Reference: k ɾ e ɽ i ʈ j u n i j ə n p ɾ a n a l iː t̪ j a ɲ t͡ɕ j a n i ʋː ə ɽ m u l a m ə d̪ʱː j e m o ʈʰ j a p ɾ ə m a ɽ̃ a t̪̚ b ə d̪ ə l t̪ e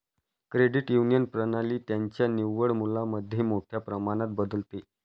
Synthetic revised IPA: k ɾ e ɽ i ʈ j u n i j ə n p ɾ ə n a l iː t̪ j a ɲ t͡ɕ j a n i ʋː ə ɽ m u l a m ə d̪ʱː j e m o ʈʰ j a p ɾ ə m a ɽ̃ a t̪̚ b ə d̪ ə l t̪ e